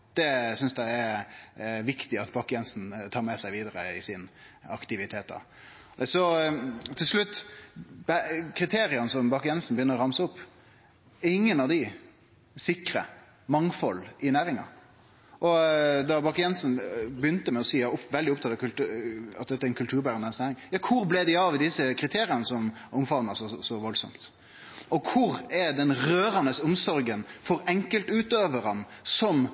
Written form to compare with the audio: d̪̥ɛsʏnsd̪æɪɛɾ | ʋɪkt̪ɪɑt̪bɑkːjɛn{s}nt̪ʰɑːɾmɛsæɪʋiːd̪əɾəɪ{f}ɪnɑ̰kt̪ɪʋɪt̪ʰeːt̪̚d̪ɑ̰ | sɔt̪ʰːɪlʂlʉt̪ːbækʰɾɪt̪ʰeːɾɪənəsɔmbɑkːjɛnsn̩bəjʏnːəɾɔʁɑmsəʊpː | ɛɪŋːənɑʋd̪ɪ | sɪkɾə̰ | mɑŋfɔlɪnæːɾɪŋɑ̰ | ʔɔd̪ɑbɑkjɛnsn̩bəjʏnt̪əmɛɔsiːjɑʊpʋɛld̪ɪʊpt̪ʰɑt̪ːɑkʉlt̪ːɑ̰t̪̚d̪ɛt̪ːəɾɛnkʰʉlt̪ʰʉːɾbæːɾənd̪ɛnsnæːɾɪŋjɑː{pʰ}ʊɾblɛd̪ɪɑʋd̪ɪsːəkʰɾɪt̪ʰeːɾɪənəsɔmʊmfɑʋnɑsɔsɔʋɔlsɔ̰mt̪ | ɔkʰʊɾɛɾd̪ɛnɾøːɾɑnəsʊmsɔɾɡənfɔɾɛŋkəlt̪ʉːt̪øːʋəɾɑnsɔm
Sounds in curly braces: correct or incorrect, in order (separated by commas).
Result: correct, incorrect, incorrect